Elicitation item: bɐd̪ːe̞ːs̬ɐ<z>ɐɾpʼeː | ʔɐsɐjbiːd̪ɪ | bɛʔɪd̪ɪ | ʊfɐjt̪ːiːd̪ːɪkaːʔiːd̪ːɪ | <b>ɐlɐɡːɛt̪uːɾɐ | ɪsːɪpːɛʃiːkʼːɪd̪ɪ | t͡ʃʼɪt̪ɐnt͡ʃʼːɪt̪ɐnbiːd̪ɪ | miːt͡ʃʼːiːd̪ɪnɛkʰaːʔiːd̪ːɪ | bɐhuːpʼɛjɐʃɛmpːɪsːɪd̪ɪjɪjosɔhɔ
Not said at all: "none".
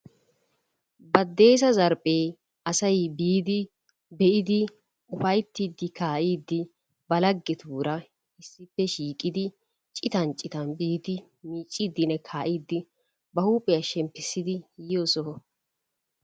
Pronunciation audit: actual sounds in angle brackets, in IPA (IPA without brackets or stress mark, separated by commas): z, b